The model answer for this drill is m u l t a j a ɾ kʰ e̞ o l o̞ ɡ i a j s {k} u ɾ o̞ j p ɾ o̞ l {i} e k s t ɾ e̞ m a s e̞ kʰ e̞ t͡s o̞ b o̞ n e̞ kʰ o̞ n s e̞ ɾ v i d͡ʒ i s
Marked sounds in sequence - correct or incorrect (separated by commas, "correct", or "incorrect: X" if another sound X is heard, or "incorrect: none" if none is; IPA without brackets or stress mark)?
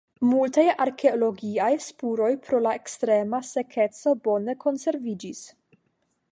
incorrect: p, incorrect: a